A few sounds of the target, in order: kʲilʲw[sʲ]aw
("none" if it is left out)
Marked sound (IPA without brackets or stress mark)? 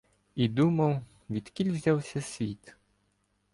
zʲ